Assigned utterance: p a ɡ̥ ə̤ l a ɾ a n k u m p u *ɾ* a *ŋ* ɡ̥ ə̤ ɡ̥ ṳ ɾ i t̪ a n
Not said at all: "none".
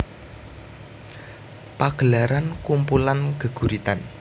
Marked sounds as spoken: l, n

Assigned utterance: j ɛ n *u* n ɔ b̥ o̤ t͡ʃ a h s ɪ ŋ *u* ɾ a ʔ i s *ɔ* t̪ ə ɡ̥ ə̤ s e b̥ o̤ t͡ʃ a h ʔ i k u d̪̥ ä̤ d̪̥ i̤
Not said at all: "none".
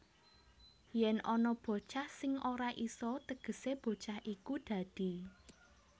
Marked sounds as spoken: ɔ, o, ɔ

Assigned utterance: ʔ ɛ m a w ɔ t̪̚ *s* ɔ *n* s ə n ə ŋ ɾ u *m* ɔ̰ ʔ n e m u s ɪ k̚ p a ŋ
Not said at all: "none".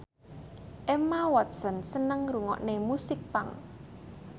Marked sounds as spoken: s, n, ŋ

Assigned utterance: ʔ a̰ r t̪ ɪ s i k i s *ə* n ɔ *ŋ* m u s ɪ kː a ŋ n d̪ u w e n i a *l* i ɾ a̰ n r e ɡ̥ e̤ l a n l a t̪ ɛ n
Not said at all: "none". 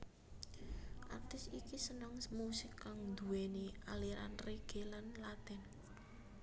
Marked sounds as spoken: ə, ŋ, l

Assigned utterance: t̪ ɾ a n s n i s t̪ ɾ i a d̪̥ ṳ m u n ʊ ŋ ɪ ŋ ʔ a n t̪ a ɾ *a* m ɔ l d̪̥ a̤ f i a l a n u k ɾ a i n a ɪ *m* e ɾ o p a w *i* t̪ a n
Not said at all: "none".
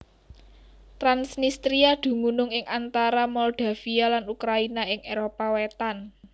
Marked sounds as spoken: a, ŋ, e

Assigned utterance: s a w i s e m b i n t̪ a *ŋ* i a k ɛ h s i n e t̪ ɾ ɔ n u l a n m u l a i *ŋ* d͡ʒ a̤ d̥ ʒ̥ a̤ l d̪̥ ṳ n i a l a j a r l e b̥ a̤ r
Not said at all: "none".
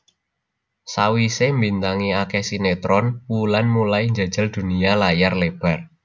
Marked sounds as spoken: ŋ, ɲ

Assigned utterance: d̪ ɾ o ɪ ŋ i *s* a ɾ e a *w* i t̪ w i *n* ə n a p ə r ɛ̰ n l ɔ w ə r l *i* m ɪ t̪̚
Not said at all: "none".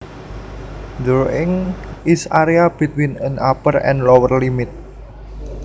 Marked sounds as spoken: s, b, n, i

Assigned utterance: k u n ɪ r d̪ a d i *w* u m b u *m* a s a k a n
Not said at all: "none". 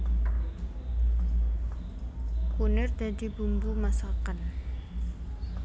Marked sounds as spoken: b, m

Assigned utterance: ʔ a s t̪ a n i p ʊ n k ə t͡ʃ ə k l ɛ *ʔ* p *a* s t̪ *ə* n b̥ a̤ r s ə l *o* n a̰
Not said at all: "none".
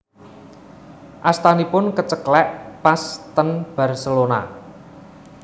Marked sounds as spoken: ʔ, a, ə, o

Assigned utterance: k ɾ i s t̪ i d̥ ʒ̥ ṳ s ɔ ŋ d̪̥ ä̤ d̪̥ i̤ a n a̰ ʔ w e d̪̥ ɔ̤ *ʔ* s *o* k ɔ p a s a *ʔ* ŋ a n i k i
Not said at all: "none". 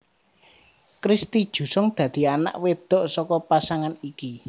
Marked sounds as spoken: ʔ, ɔ, none

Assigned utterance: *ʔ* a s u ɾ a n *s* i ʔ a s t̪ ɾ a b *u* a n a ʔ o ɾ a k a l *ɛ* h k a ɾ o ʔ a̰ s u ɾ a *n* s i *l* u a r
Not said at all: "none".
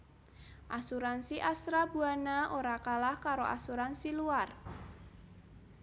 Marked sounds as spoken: ʔ, s, u, a, n, l

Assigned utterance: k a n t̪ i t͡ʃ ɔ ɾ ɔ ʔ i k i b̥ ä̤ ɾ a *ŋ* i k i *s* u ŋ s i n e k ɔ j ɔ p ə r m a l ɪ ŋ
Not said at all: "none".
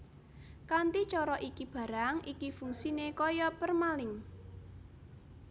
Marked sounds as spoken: ŋ, f

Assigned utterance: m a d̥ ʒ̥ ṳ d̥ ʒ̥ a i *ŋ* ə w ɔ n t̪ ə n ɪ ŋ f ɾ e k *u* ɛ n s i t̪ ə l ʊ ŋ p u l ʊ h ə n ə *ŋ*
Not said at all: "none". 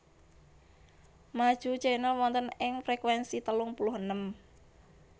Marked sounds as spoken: n, w, m

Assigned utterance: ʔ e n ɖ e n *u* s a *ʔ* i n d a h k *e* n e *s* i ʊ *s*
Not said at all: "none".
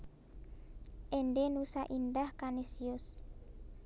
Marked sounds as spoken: u, ʔ, a, s, s

